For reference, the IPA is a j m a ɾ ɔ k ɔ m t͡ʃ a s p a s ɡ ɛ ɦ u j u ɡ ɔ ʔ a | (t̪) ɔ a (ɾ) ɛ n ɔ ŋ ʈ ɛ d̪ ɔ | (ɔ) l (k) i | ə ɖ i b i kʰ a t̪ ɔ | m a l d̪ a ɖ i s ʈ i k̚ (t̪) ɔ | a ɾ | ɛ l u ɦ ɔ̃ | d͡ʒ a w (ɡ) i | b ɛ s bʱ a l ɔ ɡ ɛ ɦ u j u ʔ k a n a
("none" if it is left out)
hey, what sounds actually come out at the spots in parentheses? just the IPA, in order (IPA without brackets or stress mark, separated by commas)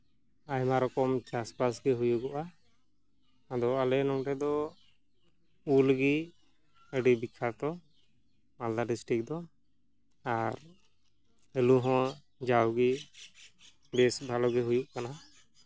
d̪, l, u, ɡ, d̪, ɡ